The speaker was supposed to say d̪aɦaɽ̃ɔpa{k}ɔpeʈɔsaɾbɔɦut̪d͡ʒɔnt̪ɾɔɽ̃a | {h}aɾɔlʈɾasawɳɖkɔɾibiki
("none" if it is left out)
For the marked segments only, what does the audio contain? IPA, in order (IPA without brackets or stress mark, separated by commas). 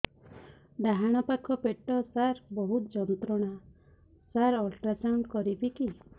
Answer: kʰ, s